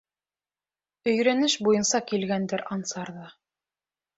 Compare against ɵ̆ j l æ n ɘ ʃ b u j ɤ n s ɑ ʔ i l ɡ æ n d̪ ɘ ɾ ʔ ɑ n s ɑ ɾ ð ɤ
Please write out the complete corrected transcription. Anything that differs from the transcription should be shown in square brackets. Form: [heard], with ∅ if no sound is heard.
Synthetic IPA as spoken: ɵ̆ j [ɾ] æ n ɘ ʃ b u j ɤ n s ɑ [k] i l ɡ æ n d̪ ɘ ɾ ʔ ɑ n s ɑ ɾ ð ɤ